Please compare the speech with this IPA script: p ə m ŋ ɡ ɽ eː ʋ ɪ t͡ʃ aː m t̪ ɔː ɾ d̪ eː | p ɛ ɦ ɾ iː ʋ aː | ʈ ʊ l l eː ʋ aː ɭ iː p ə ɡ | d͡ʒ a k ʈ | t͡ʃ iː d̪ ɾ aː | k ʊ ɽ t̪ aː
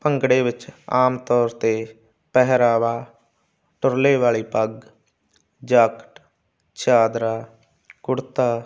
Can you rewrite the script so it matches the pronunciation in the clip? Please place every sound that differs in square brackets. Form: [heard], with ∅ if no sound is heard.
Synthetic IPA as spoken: p ə [∅] ŋ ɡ ɽ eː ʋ ɪ t͡ʃ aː m t̪ ɔː ɾ [t̪] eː | p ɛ ɦ ɾ [aː] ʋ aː | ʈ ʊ [ɾ] l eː ʋ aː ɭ iː p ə ɡ | d͡ʒ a k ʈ | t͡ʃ [aː] d̪ ɾ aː | k ʊ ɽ t̪ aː